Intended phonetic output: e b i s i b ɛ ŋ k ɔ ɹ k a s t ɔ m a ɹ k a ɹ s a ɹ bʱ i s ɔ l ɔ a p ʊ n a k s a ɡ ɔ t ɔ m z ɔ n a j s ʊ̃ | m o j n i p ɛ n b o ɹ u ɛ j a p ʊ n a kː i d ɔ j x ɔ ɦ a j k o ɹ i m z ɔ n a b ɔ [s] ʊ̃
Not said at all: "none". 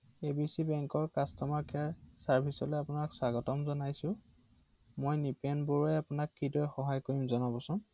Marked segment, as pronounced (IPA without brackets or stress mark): s